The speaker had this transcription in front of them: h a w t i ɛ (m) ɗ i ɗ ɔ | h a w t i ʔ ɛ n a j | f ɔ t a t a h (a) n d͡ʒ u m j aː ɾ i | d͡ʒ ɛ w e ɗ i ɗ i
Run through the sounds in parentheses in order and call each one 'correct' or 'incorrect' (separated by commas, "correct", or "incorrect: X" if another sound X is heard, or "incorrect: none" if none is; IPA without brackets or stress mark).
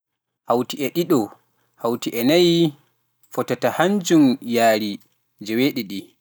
incorrect: none, correct